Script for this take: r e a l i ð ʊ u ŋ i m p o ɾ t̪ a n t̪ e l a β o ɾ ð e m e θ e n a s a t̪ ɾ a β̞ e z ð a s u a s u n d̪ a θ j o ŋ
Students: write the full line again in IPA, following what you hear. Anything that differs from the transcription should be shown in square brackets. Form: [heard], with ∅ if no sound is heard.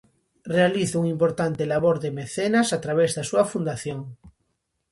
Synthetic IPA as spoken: r e a l i [θ] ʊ u ŋ i m p o ɾ t̪ a n t̪ e l a β o ɾ ð e m e θ e n a s a t̪ ɾ a β̞ e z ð a s u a [f] u n d̪ a θ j o ŋ